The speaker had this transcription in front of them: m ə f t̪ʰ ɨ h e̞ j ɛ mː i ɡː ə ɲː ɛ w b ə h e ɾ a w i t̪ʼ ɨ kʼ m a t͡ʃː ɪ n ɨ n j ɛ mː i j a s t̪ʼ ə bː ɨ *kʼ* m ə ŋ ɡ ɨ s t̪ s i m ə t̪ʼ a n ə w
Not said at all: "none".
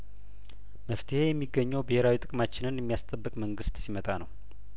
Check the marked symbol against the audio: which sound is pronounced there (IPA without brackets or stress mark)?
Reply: kʼ